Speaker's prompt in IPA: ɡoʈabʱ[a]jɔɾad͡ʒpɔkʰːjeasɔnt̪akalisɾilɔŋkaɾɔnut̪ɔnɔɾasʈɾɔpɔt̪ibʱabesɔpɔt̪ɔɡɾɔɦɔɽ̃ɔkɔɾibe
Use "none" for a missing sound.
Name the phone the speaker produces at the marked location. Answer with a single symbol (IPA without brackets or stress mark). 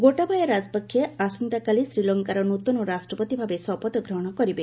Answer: a